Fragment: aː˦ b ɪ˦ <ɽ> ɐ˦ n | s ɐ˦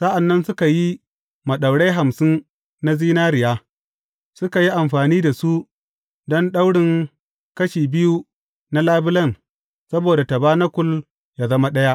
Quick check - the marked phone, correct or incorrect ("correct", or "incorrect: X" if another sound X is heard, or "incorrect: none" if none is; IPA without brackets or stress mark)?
incorrect: l